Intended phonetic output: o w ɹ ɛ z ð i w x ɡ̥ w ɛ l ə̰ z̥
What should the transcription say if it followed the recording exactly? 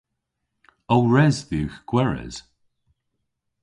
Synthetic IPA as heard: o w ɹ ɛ z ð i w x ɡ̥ w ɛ ɹ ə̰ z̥